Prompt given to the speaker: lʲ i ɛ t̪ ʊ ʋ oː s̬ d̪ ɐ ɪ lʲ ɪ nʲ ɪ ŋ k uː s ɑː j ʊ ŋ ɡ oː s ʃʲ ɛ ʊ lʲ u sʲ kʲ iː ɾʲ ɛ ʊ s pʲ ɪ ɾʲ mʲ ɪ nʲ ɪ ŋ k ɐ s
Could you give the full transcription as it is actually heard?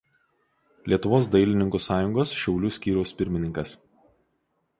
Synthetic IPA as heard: lʲ i ɛ t̪ ʊ ʋ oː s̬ d̪ ɐ ɪ lʲ ɪ nʲ ɪ ŋ k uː s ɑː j ʊ ŋ ɡ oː s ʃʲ ɛ ʊ lʲ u sʲ kʲ iː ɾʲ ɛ ʊ s pʲ ɪ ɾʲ mʲ ɪ nʲ ɪ ŋ k ɐ s